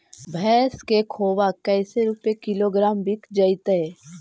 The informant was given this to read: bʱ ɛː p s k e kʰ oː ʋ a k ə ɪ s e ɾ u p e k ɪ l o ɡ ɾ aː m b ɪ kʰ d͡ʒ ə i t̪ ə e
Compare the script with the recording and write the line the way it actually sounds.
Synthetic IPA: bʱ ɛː s k e kʰ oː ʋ a k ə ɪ s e ɾ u p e k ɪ l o ɡ ɾ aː m b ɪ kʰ d͡ʒ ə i t̪ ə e